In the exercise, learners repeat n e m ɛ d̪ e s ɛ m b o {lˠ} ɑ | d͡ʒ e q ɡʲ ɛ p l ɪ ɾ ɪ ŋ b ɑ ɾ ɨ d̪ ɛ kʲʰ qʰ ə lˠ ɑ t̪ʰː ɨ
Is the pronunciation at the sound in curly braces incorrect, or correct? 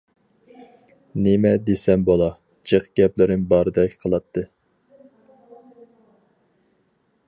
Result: correct